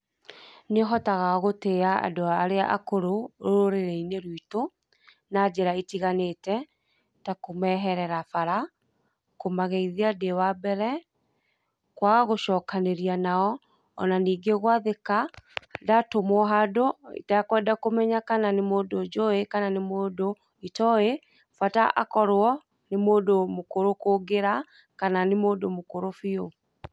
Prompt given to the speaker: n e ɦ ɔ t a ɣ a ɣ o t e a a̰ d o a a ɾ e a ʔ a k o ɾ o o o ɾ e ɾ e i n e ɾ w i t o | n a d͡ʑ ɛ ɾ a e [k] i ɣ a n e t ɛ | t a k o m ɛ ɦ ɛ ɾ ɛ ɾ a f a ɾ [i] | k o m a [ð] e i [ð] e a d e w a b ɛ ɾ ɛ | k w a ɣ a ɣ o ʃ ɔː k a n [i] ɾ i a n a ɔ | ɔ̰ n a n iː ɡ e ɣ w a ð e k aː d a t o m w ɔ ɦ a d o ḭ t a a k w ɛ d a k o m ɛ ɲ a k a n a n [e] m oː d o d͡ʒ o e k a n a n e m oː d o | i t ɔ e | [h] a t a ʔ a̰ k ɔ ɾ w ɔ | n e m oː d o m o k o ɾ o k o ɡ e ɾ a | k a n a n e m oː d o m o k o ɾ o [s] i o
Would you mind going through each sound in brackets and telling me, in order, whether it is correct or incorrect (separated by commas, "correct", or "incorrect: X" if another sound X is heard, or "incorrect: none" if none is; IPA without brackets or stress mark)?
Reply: incorrect: t, incorrect: a, incorrect: ɣ, correct, incorrect: e, correct, incorrect: f, incorrect: f